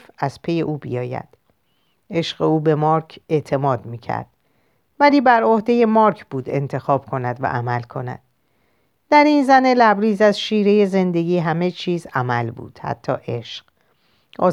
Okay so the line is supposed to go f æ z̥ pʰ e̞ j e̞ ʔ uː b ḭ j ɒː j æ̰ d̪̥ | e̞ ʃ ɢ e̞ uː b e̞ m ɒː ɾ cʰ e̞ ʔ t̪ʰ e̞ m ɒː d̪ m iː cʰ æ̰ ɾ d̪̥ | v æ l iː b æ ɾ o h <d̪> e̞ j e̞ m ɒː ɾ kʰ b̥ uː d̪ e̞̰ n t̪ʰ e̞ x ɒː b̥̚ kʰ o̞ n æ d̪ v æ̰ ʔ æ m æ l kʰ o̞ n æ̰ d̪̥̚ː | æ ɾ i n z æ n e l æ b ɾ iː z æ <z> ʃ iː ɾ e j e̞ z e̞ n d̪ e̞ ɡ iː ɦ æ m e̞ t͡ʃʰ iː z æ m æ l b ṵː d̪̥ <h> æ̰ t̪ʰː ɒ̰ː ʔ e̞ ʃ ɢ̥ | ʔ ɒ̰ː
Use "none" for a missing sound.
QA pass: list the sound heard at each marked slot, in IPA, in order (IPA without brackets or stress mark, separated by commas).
d̪, z, h